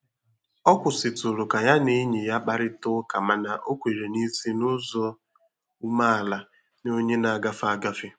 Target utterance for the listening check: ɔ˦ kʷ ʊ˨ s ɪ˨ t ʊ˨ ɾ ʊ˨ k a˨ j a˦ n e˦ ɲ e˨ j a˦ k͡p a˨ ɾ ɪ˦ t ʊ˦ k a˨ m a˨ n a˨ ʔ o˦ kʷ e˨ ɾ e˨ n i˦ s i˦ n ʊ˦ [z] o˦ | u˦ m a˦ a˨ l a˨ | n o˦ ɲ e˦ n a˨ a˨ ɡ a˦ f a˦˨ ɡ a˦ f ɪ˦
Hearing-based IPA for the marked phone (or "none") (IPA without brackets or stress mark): z